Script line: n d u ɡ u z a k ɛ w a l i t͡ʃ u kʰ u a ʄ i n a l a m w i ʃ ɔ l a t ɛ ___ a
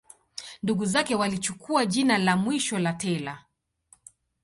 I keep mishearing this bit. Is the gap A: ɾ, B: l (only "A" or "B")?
B